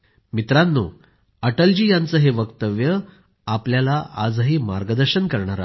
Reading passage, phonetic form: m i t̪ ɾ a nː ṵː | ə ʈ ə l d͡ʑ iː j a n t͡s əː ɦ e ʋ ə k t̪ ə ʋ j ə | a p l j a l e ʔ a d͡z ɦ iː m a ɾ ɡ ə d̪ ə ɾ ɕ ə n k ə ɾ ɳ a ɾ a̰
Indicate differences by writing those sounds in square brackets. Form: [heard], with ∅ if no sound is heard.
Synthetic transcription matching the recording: m i t̪ ɾ a nː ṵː | ə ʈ ə l d͡ʑ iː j a n t͡s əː ɦ e ʋ ə k t̪ ə ʋ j ə | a p l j a l [a] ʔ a d͡z ɦ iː m a ɾ ɡ ə d̪ ə ɾ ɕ ə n k ə ɾ ɳ a ɾ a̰